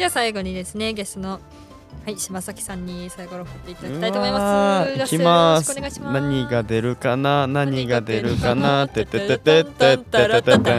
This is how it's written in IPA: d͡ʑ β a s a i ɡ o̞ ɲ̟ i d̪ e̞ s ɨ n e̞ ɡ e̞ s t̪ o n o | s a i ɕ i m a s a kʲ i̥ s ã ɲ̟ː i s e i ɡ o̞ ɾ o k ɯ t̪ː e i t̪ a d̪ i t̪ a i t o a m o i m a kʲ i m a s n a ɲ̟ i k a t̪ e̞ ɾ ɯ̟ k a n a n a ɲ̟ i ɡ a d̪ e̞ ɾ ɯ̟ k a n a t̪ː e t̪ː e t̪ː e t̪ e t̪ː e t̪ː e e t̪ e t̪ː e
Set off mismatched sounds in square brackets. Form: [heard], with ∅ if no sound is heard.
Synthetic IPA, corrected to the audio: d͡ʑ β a s a i ɡ o̞ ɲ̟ i d̪ e̞ s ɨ n e̞ ɡ e̞ s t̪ o n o | [h] a i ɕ i m a s a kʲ i̥ s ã ɲ̟ː i s [a] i ɡ o̞ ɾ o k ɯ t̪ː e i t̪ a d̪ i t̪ a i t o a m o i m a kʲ i m a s n a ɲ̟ i [ɡ] a [d̪] e̞ ɾ ɯ̟ k a n a n a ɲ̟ i ɡ a d̪ e̞ ɾ ɯ̟ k a n a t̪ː e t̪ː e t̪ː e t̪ e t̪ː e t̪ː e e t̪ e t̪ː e